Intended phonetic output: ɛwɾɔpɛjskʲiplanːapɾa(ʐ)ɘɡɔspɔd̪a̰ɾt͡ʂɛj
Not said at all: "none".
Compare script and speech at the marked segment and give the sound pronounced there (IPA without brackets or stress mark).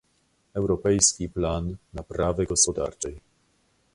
v